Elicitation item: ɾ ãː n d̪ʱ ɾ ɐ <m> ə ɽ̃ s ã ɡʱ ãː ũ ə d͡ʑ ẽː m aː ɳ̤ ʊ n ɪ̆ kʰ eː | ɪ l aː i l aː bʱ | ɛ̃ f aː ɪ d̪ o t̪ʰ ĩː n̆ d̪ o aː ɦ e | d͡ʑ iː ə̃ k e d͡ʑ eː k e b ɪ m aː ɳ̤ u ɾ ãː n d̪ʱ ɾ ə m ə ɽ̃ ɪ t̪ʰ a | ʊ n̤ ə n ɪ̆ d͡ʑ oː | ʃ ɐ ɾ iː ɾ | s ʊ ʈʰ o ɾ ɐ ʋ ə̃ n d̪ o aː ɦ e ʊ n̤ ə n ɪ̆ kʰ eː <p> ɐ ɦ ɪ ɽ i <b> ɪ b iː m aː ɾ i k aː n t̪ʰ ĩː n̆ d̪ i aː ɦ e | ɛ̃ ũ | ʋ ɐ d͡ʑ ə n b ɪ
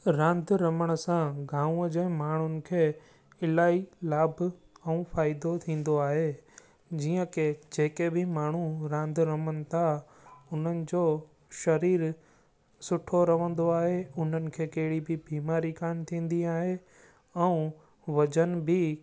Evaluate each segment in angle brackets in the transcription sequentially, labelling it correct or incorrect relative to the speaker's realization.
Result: correct, incorrect: k, correct

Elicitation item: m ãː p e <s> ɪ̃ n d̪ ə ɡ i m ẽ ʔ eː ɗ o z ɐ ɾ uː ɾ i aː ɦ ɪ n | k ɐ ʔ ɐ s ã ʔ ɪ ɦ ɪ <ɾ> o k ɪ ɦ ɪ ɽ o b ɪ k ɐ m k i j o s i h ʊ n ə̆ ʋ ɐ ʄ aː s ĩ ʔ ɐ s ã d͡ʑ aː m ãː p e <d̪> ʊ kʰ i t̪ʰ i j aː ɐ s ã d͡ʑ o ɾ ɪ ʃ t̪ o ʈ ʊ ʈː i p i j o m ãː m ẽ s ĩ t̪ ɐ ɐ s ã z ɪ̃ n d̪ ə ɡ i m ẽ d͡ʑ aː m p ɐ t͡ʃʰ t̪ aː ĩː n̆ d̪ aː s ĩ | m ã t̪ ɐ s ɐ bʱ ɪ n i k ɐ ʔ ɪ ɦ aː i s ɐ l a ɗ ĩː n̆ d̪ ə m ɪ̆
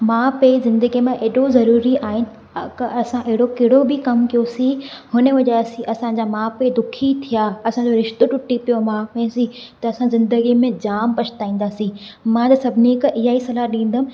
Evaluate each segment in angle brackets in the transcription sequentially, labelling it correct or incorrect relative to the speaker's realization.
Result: incorrect: z, incorrect: ɽ, correct

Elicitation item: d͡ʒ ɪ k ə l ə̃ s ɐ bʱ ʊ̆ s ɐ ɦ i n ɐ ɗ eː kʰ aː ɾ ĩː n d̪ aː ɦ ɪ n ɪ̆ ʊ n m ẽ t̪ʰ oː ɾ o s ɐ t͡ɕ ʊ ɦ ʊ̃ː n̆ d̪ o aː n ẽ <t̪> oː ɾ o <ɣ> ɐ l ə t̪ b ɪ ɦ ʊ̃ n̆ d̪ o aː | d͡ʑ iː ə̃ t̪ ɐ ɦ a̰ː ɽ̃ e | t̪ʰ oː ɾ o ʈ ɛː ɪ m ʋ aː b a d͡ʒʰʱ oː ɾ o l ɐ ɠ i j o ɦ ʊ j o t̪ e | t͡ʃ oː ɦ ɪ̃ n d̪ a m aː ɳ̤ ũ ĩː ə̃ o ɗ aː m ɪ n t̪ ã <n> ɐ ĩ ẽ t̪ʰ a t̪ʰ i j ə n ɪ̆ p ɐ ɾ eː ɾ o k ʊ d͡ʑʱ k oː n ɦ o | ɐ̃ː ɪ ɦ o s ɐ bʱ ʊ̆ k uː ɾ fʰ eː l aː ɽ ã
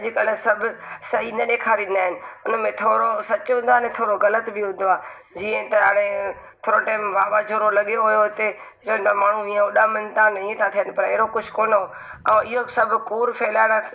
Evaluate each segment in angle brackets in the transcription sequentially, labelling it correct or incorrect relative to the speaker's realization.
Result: incorrect: t̪ʰ, correct, correct

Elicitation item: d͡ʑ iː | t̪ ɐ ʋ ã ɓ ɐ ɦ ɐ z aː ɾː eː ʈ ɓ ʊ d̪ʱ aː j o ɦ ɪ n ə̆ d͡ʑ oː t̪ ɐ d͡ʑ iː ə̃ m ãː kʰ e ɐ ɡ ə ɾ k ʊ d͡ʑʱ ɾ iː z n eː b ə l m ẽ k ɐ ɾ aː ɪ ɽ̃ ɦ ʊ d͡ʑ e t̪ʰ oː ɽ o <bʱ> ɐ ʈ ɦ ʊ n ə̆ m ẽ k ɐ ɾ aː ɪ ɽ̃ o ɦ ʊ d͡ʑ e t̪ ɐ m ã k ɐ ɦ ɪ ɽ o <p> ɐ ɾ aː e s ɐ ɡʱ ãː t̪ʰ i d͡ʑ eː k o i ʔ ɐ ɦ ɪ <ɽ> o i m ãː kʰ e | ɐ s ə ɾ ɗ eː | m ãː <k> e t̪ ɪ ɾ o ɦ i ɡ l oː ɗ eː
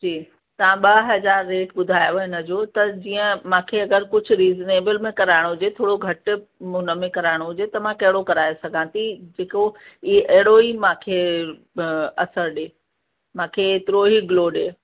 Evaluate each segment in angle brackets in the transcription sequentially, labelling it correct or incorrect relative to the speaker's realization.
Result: incorrect: ɡʱ, incorrect: k, correct, incorrect: kʰ

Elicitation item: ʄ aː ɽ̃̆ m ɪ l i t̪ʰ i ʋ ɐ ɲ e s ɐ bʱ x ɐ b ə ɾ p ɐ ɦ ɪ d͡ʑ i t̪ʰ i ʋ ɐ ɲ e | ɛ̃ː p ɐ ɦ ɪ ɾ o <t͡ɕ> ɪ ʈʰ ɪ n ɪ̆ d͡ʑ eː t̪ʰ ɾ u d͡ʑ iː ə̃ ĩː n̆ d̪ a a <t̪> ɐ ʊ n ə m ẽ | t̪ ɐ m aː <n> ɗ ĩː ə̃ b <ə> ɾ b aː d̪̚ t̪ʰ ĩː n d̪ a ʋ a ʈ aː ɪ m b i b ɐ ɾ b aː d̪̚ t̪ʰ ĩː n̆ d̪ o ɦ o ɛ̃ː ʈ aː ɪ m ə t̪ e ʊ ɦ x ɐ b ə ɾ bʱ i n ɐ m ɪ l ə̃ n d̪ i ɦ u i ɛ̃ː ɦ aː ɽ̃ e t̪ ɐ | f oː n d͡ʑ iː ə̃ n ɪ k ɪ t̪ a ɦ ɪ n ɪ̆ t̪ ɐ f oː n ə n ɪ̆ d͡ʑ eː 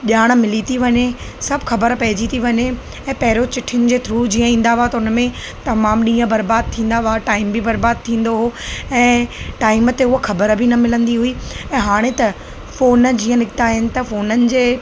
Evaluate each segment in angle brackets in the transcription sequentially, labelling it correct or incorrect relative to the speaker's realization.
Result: correct, correct, incorrect: m, incorrect: ɐ

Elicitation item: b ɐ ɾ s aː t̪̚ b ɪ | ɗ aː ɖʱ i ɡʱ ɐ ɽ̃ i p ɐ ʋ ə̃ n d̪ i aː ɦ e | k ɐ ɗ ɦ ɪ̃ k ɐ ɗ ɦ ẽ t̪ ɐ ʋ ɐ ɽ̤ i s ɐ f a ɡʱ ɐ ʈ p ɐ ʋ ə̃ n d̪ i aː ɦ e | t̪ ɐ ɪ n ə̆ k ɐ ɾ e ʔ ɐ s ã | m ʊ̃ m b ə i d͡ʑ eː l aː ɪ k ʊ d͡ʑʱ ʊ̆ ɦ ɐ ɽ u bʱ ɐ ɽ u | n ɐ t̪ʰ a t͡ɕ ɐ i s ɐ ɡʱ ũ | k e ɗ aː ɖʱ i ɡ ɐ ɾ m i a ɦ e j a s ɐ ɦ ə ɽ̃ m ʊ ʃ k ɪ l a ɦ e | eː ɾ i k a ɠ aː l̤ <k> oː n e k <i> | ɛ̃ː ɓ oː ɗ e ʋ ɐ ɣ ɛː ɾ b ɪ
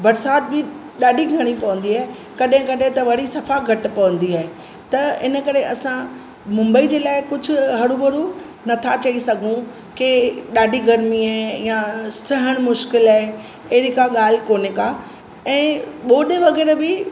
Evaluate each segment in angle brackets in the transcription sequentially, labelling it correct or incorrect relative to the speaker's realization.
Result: correct, incorrect: a

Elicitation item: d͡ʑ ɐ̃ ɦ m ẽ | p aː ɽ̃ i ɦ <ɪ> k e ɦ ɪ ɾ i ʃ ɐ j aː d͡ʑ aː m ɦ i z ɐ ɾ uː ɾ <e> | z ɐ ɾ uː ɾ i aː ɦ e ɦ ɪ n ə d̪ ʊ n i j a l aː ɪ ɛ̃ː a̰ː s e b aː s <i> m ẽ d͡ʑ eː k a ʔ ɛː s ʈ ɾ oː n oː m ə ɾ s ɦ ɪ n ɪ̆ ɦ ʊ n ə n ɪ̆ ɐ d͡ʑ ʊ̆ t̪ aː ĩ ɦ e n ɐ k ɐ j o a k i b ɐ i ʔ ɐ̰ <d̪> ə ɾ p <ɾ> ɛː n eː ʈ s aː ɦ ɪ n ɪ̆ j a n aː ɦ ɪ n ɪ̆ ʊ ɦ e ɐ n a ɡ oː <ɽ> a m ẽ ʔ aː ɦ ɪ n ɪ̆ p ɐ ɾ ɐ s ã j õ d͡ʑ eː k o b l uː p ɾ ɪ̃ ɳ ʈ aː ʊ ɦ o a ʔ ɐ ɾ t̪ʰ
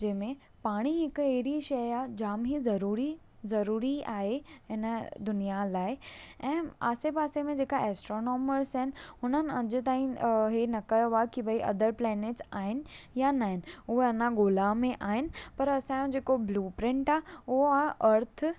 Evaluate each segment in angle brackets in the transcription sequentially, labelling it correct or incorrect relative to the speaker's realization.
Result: correct, incorrect: i, incorrect: e, correct, incorrect: l, incorrect: l

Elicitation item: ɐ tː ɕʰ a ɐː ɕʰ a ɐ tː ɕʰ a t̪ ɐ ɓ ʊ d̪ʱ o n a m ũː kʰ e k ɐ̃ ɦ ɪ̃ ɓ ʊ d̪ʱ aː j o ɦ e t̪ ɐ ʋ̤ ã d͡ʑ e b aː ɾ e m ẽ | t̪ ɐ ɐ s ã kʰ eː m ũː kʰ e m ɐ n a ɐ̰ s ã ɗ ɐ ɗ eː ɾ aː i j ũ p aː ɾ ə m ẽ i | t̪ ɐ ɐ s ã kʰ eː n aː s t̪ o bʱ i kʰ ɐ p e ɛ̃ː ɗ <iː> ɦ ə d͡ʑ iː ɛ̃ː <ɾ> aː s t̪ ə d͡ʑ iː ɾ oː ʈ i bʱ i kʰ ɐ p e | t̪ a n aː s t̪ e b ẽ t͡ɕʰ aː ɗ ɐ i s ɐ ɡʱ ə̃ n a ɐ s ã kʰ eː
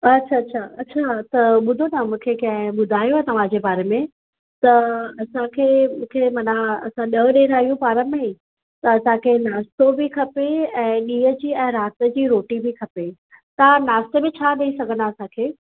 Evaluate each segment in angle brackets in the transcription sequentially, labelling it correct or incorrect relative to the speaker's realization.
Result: correct, correct

